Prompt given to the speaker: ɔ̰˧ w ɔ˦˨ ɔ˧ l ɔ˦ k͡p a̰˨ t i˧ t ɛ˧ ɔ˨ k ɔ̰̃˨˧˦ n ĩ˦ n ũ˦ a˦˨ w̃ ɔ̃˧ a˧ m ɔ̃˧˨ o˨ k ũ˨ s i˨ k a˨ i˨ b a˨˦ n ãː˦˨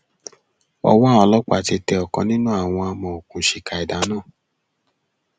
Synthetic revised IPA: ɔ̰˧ w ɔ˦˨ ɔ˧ l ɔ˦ k͡p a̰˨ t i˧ t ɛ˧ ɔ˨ k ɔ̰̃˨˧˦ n ĩ˦ n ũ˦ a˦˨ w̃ ɔ̃˧ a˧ m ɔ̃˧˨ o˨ k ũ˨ ʃ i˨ k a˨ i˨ d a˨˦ n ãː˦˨